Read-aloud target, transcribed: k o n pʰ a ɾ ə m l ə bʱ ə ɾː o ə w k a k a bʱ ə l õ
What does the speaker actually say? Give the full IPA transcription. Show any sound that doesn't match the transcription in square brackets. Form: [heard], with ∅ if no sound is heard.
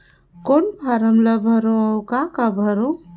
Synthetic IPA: k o n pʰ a ɾ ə m l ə bʱ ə [ɾ] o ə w k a k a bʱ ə [ɾ] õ